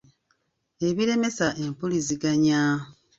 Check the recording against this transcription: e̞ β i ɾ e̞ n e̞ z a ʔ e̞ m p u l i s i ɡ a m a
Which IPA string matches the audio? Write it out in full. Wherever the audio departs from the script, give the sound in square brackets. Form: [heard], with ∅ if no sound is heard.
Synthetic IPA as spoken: e̞ β i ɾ e̞ [m] e̞ [s] a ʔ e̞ m p u l i [z] i ɡ a [ɲ] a